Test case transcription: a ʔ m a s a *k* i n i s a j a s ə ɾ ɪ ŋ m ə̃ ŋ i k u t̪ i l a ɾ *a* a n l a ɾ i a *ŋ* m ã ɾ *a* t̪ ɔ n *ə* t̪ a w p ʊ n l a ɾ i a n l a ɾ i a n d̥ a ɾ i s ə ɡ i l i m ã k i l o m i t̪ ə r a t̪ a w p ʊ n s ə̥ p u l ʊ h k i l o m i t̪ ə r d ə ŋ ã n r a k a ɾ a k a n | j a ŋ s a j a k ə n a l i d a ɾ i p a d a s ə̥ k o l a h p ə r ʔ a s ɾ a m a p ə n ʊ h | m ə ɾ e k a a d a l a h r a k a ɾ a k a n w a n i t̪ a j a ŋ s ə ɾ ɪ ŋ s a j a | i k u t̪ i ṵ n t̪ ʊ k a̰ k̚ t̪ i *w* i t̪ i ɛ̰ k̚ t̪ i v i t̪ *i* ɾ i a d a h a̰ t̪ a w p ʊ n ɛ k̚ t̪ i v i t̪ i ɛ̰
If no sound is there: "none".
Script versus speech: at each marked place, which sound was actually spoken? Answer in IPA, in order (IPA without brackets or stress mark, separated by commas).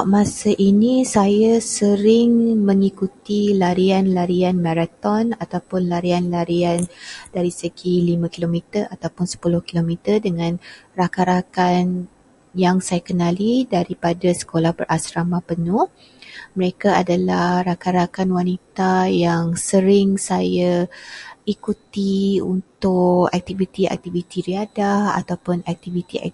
ʔ, i, n, a, a, v, i